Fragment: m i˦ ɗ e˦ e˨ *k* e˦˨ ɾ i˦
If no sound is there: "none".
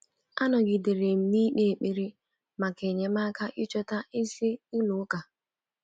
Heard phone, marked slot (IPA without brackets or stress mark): k͡p